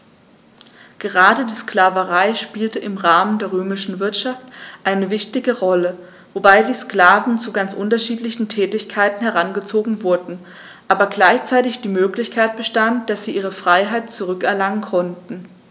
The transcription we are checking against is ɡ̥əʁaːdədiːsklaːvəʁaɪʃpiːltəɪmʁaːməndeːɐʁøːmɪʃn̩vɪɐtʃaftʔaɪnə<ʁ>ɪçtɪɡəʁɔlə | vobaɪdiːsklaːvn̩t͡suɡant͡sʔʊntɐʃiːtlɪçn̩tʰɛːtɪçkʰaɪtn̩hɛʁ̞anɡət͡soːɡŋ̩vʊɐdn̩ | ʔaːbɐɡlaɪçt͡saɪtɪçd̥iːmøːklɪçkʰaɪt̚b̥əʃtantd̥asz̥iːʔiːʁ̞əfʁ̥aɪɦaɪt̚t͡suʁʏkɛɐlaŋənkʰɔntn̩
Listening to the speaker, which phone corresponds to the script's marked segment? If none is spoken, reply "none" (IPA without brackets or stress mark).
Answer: v